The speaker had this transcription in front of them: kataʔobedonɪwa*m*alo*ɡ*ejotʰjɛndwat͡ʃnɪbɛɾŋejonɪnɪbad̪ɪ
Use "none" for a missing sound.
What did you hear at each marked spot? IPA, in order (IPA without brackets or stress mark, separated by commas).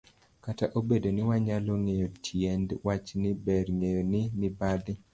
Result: ɲ, ŋ